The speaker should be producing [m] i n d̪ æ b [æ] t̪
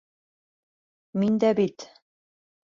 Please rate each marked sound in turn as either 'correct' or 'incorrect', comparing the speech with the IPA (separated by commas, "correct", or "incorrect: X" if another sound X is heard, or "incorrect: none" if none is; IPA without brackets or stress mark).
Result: correct, incorrect: i